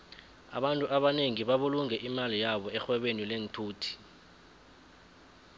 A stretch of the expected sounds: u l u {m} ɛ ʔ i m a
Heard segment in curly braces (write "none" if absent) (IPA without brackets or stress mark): ŋ